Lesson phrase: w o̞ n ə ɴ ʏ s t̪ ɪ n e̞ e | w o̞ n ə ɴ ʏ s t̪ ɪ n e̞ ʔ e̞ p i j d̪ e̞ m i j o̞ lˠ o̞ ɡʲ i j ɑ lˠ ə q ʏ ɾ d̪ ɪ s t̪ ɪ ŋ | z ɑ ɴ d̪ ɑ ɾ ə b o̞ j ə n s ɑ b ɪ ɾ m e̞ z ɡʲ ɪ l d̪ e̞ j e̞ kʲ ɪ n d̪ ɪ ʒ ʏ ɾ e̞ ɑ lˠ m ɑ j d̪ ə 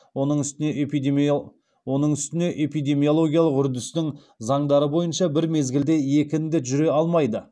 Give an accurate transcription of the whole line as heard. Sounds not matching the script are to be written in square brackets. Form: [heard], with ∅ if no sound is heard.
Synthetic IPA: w o̞ n ə ɴ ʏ s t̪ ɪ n e̞ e | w o̞ n ə ɴ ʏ s t̪ ɪ n e̞ ʔ e̞ p i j d̪ e̞ m i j o̞ lˠ o̞ ɡʲ i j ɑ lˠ ə q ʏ ɾ d̪ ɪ s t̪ ɪ ŋ | z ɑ ɴ d̪ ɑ ɾ ə b o̞ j ə n [ʃ] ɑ b ɪ ɾ m e̞ z ɡʲ ɪ l d̪ e̞ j e̞ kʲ ɪ n d̪ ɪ ʒ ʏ ɾ e̞ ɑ lˠ m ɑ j d̪ ə